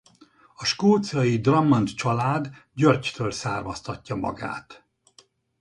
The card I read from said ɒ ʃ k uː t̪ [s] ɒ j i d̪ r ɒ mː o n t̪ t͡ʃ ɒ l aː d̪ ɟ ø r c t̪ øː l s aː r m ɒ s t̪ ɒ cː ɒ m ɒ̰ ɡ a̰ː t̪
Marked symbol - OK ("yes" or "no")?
yes